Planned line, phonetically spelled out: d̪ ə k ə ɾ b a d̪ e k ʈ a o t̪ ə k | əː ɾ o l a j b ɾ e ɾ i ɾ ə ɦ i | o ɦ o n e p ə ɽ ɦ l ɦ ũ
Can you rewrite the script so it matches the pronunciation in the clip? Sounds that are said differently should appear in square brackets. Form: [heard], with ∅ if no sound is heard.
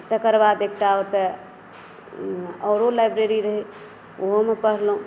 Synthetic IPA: [t̪] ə k ə ɾ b a d̪ e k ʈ a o t̪ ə [∅] | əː ɾ o l a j b ɾ e ɾ i ɾ ə ɦ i | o ɦ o [m] e p ə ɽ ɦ l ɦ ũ

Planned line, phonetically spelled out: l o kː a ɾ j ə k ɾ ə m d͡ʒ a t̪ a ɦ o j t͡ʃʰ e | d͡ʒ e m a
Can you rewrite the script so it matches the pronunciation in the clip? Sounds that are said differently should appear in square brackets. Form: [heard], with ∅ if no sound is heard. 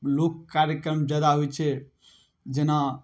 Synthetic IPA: l o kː a ɾ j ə k ɾ ə m d͡ʒ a [d̪] a ɦ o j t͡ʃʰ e | d͡ʒ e [n] a

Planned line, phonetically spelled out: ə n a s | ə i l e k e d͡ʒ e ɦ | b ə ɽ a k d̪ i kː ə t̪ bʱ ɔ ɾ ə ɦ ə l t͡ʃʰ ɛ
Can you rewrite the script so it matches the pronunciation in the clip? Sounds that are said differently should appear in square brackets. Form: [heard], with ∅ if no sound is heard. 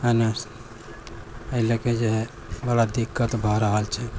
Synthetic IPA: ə n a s | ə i l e k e d͡ʒ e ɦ | b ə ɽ a [∅] d̪ i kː ə t̪ bʱ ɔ ɾ ə ɦ ə l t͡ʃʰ ɛ

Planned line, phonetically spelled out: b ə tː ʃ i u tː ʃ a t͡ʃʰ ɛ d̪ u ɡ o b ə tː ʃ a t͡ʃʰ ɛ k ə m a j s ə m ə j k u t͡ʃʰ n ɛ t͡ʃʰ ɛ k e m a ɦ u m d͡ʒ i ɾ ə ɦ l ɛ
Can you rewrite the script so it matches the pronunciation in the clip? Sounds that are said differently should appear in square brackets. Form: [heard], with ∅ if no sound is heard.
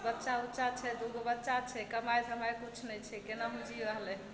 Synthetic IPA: b ə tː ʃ [a] u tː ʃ a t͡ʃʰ ɛ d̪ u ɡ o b ə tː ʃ a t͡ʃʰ ɛ k ə m a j s ə m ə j k u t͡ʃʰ n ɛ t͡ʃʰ ɛ k e [n] a ɦ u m d͡ʒ i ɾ ə ɦ l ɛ

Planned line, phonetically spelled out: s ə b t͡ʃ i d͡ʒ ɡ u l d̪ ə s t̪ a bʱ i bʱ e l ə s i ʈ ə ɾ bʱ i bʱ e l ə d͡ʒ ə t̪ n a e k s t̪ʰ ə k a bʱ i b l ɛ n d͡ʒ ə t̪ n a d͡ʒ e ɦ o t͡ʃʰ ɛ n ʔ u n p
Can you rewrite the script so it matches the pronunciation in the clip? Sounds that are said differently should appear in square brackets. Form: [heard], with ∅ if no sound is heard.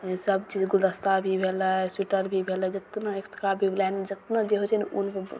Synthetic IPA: s ə b t͡ʃ i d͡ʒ ɡ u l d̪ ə s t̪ a bʱ i bʱ e l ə s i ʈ ə ɾ bʱ i bʱ e l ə d͡ʒ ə t̪ n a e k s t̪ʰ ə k a bʱ i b l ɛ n d͡ʒ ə t̪ n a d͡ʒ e ɦ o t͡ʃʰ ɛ n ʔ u n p

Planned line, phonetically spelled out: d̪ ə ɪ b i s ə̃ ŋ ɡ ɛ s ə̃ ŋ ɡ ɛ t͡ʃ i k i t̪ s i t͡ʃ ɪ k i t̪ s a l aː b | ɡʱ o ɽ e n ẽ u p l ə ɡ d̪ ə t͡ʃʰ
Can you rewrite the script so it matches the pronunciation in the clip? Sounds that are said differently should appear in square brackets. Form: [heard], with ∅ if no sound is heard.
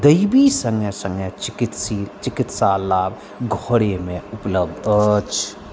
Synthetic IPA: d̪ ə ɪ b i s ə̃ ŋ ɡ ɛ s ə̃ ŋ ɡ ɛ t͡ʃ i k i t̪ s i t͡ʃ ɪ k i t̪ s a l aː b | ɡʱ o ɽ e [m] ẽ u p l ə [b] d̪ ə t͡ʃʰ

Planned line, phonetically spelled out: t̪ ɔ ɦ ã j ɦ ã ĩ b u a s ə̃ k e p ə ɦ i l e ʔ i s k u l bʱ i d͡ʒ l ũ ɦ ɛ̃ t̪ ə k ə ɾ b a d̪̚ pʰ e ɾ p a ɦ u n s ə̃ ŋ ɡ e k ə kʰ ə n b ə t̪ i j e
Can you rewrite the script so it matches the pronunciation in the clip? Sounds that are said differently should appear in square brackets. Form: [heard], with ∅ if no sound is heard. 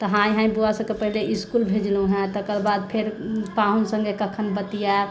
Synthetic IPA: t̪ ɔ ɦ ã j ɦ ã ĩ b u a s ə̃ k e p ə ɦ i l e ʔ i s k u l bʱ [e] d͡ʒ l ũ ɦ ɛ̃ t̪ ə k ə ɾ b a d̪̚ pʰ e ɾ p a ɦ u n s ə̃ ŋ ɡ e k ə kʰ ə n b ə t̪ i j [a]

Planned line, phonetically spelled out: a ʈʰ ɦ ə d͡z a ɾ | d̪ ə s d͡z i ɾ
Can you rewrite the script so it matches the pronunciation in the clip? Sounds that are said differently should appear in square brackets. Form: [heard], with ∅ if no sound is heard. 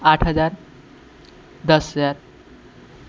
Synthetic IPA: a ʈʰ ɦ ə d͡z a ɾ | d̪ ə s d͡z [a] ɾ

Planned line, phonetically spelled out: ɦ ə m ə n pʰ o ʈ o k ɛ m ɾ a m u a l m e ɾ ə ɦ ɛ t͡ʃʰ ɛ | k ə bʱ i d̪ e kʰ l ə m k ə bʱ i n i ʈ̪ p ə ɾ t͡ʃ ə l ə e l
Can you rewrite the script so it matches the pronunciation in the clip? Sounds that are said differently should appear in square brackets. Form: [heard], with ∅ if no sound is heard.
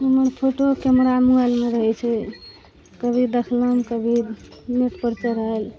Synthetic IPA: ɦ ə m ə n pʰ o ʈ o k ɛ m ɾ a m u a l m e ɾ ə ɦ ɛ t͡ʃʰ ɛ | k ə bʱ i d̪ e kʰ l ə m k ə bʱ i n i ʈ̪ p ə ɾ t͡ʃ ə [ɾ] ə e l

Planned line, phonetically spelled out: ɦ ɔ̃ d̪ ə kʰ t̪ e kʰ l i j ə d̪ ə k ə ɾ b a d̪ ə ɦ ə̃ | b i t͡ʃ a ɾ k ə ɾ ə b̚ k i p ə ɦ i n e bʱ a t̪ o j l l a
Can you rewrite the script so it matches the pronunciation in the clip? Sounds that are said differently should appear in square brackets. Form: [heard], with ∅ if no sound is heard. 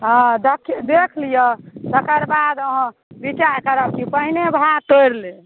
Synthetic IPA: ɦ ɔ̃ d̪ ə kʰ [d̪] e kʰ l i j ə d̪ ə k ə ɾ b a d̪ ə ɦ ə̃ | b i t͡ʃ a ɾ k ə ɾ ə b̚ k i p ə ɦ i n e bʱ a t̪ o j [ɾ] l [e]

